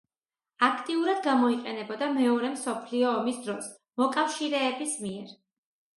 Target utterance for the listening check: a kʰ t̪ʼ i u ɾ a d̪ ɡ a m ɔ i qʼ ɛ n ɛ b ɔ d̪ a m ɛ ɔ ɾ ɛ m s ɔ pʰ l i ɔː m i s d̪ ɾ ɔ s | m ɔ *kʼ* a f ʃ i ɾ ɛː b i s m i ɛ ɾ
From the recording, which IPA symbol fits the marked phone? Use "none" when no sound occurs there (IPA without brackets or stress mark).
kʼ